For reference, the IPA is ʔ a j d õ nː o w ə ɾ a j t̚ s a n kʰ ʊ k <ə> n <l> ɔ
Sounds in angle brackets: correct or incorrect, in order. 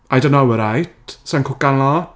incorrect, correct

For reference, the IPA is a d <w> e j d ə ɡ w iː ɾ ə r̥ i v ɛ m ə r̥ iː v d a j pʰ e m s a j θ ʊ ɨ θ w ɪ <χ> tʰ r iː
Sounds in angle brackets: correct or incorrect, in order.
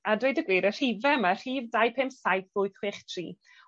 correct, correct

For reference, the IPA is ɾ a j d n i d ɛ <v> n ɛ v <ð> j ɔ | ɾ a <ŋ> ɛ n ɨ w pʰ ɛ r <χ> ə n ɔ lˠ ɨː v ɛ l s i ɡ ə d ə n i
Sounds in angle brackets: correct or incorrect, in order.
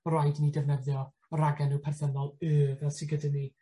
correct, correct, incorrect, incorrect

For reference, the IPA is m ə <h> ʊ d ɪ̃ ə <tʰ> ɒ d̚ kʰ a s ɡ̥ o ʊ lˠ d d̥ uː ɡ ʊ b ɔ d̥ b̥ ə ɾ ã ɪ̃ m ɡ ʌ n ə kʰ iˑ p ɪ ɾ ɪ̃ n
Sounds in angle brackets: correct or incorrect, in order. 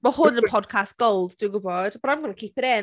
correct, incorrect

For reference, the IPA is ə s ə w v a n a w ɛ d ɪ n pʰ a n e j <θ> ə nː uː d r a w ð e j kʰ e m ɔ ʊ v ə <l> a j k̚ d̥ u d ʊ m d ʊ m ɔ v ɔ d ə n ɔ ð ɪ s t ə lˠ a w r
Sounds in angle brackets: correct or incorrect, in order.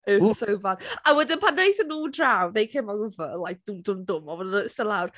correct, correct

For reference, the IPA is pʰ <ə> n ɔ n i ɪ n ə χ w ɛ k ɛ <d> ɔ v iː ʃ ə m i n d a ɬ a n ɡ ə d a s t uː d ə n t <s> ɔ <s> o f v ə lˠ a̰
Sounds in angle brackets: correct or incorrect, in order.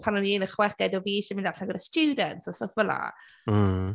incorrect, correct, correct, correct

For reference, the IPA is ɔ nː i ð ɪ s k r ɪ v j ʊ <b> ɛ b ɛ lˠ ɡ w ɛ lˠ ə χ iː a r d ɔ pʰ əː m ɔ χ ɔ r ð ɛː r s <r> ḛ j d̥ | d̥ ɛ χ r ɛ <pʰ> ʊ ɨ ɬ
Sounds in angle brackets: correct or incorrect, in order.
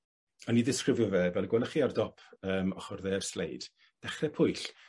incorrect, incorrect, correct

